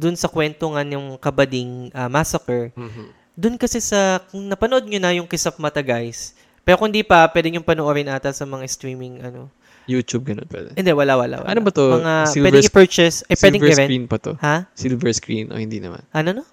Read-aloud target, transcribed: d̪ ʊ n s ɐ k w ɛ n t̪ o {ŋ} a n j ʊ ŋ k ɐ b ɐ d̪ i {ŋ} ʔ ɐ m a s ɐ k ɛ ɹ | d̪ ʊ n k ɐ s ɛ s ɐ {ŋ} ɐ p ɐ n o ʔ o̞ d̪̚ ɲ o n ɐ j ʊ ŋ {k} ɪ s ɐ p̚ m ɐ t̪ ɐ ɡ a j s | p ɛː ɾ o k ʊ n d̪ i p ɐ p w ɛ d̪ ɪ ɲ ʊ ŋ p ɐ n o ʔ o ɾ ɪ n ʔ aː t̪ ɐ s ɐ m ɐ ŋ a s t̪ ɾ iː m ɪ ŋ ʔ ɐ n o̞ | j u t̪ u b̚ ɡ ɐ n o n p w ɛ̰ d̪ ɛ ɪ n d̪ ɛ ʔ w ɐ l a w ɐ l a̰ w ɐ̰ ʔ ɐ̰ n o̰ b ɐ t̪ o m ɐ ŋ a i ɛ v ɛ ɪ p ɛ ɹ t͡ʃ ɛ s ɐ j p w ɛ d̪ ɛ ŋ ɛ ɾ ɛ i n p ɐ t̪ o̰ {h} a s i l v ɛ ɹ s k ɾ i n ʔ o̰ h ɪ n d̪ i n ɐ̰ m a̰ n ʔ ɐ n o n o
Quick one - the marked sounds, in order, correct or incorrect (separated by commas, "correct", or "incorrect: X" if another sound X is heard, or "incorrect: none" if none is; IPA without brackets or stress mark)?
correct, correct, incorrect: n, correct, correct